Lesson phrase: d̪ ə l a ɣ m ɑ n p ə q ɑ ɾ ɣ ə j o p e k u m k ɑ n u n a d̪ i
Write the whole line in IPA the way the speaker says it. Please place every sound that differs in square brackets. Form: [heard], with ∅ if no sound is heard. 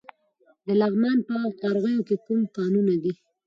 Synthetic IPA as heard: d̪ ə l a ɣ m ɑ n p ə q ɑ ɾ ɣ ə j o [k] e k u m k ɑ n u n a d̪ i